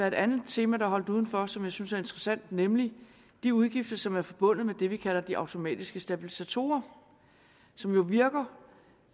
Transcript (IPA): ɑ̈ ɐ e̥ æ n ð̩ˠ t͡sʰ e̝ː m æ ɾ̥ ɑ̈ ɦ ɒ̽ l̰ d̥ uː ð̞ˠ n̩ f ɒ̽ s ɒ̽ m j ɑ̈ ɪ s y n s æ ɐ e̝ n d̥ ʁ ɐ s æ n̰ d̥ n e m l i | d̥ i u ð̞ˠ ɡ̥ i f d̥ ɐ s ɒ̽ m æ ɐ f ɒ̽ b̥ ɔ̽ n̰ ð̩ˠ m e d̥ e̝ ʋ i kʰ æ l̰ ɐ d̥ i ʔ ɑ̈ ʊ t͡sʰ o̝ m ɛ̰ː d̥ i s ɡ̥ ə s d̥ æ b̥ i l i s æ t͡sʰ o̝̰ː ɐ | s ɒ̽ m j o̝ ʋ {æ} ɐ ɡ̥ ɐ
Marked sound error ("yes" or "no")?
yes